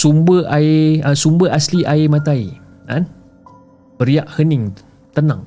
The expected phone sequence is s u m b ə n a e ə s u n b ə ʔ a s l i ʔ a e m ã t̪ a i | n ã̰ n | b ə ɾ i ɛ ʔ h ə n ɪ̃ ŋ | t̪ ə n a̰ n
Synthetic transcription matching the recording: s u m b ə a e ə s u m b ə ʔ a s l i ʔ a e m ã t̪ a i | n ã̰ n | b ə ɾ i a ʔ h ə n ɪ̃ ŋ | t̪ ə n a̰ ŋ